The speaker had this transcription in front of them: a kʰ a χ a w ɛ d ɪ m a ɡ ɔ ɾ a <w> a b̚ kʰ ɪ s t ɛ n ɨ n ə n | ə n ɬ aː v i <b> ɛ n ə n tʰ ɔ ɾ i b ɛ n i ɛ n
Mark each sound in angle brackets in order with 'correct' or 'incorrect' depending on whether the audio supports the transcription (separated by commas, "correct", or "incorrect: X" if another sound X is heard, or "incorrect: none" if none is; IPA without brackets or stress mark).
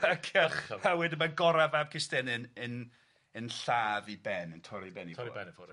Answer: incorrect: v, correct